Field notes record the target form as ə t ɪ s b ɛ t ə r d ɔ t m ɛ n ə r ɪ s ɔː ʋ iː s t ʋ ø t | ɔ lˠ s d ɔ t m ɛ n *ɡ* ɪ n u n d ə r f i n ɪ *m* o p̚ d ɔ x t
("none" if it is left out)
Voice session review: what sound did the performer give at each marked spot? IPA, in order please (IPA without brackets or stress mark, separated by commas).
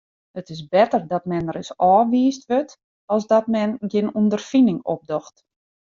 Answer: ɡ, ŋ